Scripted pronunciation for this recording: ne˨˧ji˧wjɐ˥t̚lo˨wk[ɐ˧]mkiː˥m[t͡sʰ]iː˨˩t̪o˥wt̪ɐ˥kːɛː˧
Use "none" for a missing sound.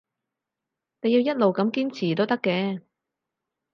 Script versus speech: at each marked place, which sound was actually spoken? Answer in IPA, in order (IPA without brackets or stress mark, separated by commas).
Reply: ɐ˨˥, t͡sʰ